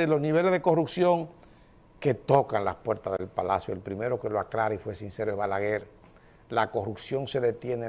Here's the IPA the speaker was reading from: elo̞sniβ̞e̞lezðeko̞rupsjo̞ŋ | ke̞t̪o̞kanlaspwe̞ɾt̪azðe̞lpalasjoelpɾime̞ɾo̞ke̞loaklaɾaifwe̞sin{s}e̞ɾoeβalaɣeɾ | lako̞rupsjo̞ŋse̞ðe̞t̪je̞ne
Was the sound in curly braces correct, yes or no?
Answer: yes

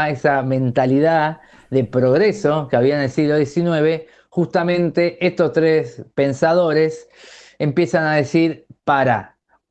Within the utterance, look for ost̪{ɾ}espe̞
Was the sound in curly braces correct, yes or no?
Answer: yes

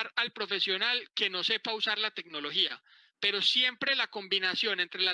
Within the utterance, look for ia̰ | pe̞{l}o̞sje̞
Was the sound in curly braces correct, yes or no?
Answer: no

